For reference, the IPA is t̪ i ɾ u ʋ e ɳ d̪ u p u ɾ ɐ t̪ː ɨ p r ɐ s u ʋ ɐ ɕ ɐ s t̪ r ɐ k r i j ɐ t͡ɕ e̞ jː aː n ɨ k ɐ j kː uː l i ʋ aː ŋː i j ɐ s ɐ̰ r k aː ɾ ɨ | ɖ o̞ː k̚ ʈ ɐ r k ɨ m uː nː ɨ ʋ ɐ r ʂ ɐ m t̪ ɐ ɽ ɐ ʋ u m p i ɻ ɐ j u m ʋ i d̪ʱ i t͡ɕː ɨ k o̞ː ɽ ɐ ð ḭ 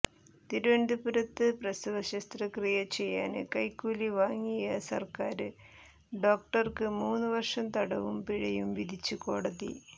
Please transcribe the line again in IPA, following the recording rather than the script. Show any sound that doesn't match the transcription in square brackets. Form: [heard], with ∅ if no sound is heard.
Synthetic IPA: t̪ i ɾ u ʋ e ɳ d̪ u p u ɾ ɐ t̪ː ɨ p r ɐ s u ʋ ɐ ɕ ɐ s t̪ r ɐ k r i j ɐ t͡ɕ e̞ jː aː n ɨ k ɐ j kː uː l i ʋ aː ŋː i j ɐ s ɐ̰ r k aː ɾ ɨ | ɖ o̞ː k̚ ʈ ɐ r k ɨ m uː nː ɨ ʋ ɐ r ʂ ɐ m t̪ ɐ ɽ ɐ ʋ u m p i ɻ ɐ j u m ʋ i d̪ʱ i t͡ɕː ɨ k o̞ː ɽ ɐ ð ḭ